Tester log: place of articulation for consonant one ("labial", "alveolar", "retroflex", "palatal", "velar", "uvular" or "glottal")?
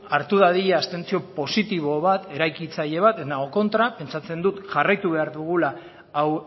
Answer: alveolar